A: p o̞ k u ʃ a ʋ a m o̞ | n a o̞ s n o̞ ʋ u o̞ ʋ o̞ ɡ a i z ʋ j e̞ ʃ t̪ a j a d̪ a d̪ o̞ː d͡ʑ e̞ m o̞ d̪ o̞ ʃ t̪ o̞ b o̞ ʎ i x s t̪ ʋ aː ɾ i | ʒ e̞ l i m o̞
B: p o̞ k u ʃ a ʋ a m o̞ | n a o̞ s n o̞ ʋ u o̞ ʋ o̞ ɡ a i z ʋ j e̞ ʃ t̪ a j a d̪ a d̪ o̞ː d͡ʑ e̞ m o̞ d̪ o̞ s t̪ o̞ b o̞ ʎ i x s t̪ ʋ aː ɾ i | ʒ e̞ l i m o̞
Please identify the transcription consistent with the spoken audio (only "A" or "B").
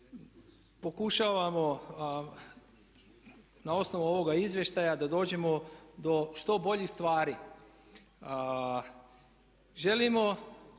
A